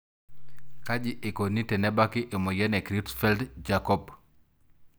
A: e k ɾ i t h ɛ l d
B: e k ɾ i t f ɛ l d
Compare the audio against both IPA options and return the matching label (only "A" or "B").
B